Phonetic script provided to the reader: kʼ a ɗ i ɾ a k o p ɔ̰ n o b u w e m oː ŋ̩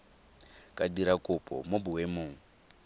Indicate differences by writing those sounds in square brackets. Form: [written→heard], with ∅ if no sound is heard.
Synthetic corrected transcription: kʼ a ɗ i ɾ a k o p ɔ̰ [n→m] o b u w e m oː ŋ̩